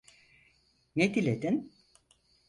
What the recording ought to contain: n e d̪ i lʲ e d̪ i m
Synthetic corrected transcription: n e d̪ i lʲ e d̪ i n